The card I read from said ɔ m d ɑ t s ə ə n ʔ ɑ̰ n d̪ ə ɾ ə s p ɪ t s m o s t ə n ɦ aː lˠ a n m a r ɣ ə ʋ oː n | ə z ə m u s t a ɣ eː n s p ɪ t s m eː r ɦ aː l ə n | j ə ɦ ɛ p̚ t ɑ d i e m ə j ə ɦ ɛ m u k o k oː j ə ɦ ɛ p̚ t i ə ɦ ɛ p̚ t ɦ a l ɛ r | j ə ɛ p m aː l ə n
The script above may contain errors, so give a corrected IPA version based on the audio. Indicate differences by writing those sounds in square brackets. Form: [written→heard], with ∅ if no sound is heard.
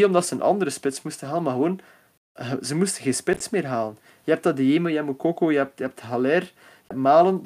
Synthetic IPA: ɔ m d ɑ t s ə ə n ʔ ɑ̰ n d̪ ə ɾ ə s p ɪ t s m [o→u] s t ə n ɦ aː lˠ [a→ə] n m a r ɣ ə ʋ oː n | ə z ə m u s t [a→ə] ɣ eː n s p ɪ t s m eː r ɦ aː l ə n | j ə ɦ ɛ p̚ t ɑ d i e m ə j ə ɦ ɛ m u k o k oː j ə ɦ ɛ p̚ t [i→j] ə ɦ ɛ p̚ t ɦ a l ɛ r | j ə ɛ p m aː l ə n